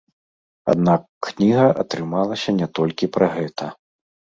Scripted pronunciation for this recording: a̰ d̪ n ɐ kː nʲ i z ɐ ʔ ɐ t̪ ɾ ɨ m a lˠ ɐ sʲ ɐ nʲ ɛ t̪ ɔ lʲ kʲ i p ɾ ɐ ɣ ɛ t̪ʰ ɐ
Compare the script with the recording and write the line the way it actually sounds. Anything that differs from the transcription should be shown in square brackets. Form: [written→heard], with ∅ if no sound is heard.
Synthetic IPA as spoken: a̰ d̪ n [ɐ→a] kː nʲ i [z→ɣ] ɐ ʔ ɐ t̪ ɾ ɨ m a lˠ ɐ sʲ ɐ nʲ ɛ t̪ ɔ lʲ kʲ i p ɾ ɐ ɣ ɛ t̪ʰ ɐ